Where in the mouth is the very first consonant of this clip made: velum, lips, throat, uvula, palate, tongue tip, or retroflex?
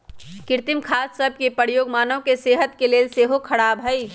velum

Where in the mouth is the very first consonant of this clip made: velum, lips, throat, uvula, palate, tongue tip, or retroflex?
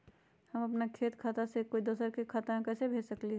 throat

